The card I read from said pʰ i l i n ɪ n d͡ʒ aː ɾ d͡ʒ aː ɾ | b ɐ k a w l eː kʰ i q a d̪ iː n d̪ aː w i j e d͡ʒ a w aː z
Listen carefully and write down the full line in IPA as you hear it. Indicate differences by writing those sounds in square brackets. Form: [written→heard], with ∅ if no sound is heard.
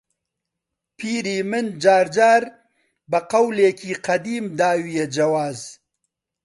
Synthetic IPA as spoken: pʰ i [l→ɾ] i [n→m] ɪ n d͡ʒ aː ɾ d͡ʒ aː ɾ | b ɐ [k→q] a w l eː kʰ i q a d̪ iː [n→m] d̪ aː w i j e d͡ʒ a w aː z